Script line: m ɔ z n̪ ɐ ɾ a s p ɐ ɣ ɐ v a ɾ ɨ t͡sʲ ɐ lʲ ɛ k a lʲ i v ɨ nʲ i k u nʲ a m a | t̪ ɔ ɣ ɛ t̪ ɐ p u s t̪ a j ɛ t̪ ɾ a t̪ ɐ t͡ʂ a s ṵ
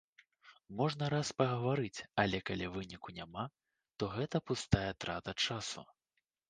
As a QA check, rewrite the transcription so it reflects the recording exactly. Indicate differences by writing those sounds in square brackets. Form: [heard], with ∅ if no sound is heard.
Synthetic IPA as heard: m ɔ [ʐ] n̪ ɐ ɾ a s p ɐ ɣ ɐ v a ɾ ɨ t͡sʲ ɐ lʲ ɛ k a lʲ i v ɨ nʲ i k u nʲ a m a | t̪ ɔ ɣ ɛ t̪ ɐ p u s t̪ a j ɛ t̪ ɾ a t̪ ɐ t͡ʂ a s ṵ